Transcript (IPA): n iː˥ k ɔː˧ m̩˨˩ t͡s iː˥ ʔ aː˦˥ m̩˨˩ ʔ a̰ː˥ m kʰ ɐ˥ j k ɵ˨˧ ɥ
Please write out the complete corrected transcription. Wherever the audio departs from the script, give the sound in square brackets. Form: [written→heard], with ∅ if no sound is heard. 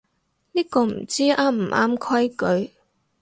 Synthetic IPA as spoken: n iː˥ k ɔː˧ m̩˨˩ t͡s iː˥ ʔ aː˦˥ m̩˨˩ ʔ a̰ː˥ m kʰ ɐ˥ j k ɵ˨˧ ɥ